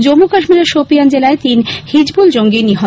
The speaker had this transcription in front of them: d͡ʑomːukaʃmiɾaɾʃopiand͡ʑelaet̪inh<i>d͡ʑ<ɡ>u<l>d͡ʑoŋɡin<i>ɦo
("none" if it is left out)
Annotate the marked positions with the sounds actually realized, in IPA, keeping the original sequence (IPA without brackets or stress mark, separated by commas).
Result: i, b, l, i